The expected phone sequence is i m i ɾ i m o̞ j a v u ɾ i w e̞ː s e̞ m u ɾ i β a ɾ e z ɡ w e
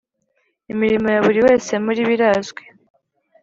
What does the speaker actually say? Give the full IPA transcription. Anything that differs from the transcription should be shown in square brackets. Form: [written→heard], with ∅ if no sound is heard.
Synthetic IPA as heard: i m i ɾ i m o̞ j a [v→β] u ɾ i w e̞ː s e̞ m u ɾ i β [a→i] ɾ [e→a] z ɡ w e

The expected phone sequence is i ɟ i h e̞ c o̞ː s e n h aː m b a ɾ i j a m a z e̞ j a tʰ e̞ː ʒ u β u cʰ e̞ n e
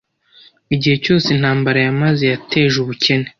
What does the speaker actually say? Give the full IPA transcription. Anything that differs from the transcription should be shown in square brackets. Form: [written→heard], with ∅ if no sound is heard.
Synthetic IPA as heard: i ɟ i h e̞ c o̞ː s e n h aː m b a ɾ [i→a] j a m a z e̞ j a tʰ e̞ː ʒ u β u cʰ e̞ n e

